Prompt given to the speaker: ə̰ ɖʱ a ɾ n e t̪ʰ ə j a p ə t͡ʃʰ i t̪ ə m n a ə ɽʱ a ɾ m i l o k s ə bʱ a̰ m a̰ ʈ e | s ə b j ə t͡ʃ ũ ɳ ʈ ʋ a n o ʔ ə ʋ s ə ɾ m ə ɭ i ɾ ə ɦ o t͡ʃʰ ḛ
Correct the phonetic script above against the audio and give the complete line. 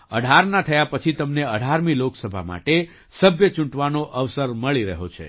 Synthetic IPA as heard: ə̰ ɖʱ a ɾ n a t̪ʰ ə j a p ə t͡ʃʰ i t̪ ə m n e ə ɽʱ a ɾ m i l o k s ə bʱ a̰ m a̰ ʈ e | s ə b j ə t͡ʃ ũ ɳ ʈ ʋ a n o ʔ ə ʋ s ə ɾ m ə ɭ i ɾ ə ɦ o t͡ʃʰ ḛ

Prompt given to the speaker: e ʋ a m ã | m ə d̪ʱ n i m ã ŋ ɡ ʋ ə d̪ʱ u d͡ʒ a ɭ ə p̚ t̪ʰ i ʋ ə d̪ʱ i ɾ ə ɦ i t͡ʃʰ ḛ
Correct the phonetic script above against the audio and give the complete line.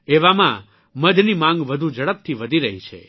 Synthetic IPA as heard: e ʋ a m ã | m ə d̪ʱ n i m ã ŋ ɡ ʋ ə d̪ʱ u d͡ʒ ə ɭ ə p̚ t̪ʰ i ʋ ə d̪ʱ i ɾ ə ɦ i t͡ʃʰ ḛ

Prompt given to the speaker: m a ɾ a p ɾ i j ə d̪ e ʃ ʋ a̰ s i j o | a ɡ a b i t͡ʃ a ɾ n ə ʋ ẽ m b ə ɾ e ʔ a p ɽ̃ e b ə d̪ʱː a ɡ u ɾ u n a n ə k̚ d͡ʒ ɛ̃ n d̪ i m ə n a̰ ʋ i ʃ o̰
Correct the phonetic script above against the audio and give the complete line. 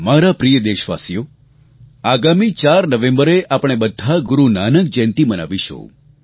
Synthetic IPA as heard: m a ɾ a p ɾ i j ə d̪ e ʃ ʋ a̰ s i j o | a ɡ a m i t͡ʃ a ɾ n ə ʋ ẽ m b ə ɾ e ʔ a p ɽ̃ e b ə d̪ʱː a ɡ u ɾ u n a n ə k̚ d͡ʒ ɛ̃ n t̪ i m ə n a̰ ʋ i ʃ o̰

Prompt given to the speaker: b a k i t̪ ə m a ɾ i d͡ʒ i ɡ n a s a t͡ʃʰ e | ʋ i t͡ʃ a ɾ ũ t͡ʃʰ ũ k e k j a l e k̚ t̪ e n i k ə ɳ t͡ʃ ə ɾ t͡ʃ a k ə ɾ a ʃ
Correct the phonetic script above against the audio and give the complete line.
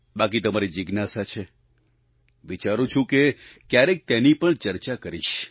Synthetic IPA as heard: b a k i t̪ ə m a ɾ i d͡ʒ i ɡ n a s a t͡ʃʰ e | ʋ i t͡ʃ a ɾ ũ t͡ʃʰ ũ k e k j a ɾ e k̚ t̪ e n i p ə ɳ t͡ʃ ə ɾ t͡ʃ a k ə ɾ i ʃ

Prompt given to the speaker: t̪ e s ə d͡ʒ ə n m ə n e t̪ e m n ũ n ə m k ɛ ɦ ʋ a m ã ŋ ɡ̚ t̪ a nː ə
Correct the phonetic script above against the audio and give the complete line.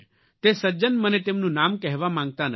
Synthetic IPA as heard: t̪ e s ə d͡ʒ ə n m ə n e t̪ e m n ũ n a m k ɛ ɦ ʋ a m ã ŋ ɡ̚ t̪ a n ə

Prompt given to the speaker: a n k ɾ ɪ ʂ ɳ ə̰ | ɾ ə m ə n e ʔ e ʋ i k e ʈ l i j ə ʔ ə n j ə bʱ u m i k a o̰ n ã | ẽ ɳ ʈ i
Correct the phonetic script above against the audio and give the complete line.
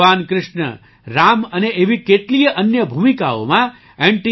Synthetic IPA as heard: a n k ɾ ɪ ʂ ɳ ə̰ | ɾ a m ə n e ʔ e ʋ i k e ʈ l i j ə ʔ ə n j ə bʱ u m i k a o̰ m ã | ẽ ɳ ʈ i

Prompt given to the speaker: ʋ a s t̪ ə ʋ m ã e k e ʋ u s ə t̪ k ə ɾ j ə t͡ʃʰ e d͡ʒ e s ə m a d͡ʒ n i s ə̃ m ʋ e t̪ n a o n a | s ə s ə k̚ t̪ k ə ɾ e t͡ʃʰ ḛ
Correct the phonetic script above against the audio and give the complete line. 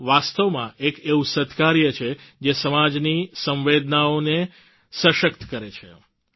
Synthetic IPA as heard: ʋ a s t̪ ə ʋ m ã e k e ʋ u s ə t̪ k a ɾ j ə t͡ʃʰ e d͡ʒ e s ə m a d͡ʒ n i s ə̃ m ʋ e d̪ n a o n e | s ə ʃ ə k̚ t̪ k ə ɾ e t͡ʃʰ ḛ

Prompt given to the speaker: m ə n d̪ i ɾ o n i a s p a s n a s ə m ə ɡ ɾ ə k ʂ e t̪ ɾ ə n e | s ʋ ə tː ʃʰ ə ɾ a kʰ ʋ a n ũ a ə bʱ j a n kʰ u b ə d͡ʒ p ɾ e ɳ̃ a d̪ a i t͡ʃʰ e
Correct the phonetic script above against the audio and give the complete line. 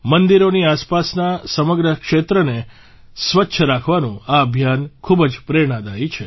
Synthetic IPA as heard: m ə n d̪ i ɾ o n i a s p a s n a s ə m ə ɡ ɾ ə k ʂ e t̪ ɾ ə n e | s ʋ ə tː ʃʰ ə ɾ a kʰ ʋ a n ũ a ə bʱ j a n kʰ u b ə d͡ʒ p ɾ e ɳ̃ a d̪ a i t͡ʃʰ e

